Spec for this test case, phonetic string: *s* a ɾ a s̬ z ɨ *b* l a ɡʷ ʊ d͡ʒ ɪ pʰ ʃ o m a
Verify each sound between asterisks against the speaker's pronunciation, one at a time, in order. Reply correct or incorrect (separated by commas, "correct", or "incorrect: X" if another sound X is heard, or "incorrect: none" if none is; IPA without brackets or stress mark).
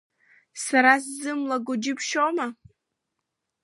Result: correct, incorrect: m